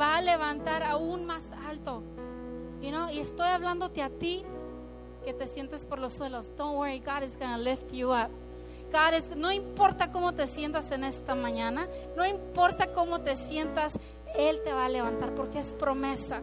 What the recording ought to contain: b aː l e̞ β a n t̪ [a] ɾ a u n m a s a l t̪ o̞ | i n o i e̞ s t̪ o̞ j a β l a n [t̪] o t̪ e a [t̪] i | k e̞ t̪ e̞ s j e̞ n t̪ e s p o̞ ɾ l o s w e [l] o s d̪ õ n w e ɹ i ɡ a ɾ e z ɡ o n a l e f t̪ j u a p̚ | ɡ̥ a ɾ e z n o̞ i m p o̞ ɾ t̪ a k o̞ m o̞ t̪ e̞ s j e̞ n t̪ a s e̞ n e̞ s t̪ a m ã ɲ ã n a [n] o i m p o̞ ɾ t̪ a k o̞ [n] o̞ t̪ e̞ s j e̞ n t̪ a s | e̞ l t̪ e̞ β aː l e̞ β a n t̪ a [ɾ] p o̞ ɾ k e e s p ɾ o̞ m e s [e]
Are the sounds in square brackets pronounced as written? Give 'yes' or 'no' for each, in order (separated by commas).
yes, no, yes, yes, yes, no, yes, no